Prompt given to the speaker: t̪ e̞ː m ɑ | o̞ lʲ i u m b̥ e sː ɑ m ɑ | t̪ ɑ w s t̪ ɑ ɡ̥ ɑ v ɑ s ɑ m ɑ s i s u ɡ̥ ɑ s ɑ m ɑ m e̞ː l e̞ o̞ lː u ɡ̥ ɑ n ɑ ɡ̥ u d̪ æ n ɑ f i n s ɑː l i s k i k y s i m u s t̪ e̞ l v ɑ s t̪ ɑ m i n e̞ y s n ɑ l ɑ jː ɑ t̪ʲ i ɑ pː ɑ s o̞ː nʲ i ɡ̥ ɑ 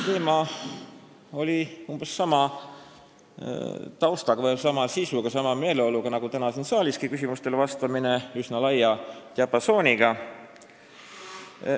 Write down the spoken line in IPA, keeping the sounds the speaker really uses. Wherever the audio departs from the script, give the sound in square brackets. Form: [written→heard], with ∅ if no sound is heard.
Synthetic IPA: t̪ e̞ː m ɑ | o̞ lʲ i u m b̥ e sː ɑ m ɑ | t̪ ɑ w s t̪ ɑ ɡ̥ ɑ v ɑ s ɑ m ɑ s i s u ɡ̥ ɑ s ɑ m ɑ m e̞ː l e̞ o̞ [lː→l] u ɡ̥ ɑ n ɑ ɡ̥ u [d̪→t̪] æ n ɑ [f→s] i n s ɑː l i s k i k y s i m u s t̪ e̞ l v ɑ s t̪ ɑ m i n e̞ y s n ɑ l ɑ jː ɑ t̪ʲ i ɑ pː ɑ s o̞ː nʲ i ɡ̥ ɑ